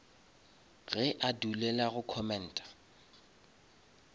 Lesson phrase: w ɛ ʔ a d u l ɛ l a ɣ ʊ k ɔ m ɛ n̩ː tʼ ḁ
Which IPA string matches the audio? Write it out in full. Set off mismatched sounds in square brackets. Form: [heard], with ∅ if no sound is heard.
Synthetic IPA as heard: [ɣ] ɛ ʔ a d u l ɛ l a ɣ ʊ [kʰ] ɔ m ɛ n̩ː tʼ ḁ